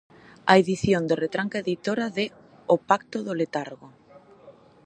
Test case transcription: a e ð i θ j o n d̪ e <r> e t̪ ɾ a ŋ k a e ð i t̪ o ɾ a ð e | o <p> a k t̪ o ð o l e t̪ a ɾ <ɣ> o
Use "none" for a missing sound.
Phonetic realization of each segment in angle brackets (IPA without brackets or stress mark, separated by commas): r, p, ɣ